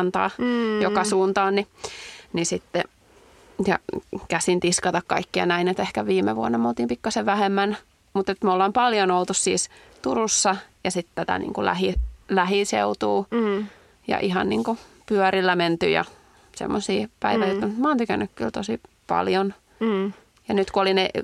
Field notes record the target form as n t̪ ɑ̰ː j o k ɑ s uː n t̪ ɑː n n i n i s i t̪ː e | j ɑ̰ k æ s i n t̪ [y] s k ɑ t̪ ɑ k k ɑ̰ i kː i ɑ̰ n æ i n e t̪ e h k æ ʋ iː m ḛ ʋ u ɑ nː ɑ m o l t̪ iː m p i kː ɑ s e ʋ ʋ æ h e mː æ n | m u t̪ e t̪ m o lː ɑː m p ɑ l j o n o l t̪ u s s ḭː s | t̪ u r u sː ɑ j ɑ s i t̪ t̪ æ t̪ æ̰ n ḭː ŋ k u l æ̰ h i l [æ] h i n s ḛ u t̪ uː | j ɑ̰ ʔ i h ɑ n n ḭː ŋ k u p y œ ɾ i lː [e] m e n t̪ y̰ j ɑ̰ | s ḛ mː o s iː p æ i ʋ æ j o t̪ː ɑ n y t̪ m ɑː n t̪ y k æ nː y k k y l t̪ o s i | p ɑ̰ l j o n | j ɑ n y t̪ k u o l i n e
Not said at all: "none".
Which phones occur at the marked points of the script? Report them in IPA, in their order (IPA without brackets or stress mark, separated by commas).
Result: i, æ, æ